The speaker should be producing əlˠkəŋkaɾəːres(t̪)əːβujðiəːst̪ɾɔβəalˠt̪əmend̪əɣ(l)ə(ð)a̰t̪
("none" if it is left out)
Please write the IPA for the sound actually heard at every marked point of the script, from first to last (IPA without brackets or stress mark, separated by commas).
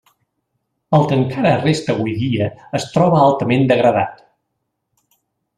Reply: t̪, ɾ, ð